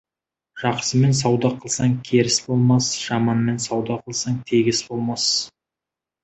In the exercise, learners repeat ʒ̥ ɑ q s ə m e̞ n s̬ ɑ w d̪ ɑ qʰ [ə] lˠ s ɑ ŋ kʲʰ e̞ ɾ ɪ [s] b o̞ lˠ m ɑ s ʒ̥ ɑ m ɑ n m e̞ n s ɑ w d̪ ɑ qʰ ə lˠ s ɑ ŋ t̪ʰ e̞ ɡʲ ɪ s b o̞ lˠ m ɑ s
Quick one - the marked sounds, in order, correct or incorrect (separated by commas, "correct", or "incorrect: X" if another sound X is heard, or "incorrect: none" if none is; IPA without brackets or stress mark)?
correct, correct